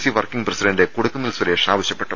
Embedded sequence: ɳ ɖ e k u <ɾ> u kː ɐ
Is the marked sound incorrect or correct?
incorrect